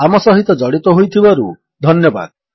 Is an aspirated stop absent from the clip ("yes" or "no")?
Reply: no